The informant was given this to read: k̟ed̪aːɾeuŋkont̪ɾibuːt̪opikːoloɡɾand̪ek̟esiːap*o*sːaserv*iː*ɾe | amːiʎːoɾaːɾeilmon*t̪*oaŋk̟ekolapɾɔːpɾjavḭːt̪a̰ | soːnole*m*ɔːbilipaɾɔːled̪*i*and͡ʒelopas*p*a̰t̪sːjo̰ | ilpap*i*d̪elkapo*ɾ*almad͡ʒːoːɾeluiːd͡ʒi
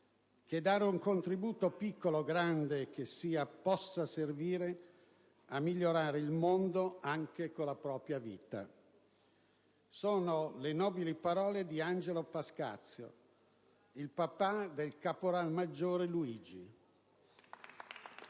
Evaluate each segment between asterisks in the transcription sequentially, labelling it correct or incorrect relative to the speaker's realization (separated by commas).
incorrect, correct, incorrect, incorrect, correct, incorrect, incorrect, correct